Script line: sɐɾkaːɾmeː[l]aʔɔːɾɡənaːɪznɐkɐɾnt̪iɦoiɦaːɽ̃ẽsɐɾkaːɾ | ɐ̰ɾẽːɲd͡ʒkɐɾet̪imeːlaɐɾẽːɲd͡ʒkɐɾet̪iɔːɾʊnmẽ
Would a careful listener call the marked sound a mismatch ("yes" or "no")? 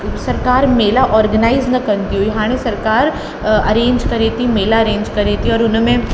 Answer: no